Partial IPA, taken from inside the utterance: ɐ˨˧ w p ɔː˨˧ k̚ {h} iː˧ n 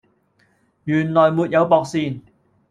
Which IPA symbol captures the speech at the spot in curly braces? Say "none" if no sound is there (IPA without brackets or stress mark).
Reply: s